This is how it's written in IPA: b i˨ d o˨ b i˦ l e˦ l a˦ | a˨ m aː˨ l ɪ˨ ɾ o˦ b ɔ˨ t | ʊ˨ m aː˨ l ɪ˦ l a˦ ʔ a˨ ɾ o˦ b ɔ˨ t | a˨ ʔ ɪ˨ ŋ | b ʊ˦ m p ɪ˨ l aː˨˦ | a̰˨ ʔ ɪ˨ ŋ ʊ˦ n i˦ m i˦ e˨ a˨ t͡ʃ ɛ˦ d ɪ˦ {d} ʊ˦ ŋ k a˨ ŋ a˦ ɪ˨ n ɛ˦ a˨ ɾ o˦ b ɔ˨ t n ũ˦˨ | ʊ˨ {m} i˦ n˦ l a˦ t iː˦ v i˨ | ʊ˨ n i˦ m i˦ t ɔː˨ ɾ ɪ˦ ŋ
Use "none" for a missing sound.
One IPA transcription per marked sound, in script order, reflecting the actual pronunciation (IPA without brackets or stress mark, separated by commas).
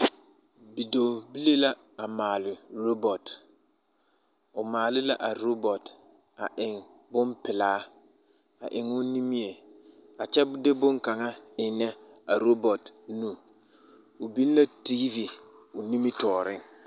b, b